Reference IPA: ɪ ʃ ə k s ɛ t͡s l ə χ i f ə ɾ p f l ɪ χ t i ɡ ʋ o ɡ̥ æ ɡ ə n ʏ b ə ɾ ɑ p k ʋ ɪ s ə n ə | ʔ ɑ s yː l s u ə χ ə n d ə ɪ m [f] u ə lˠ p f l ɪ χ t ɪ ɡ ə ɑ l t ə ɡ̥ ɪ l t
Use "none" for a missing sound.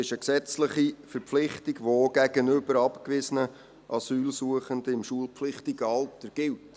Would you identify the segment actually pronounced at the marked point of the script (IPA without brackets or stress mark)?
ʃ